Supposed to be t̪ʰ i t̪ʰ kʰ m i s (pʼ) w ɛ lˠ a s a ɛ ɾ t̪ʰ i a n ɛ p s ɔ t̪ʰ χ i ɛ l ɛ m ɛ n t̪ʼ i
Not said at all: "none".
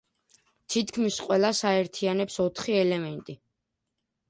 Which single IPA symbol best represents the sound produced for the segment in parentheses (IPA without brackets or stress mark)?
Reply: qʼ